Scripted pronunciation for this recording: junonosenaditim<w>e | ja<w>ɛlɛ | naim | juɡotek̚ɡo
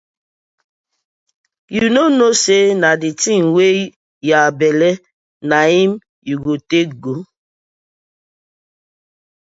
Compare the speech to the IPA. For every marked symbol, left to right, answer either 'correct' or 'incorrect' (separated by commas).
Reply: correct, incorrect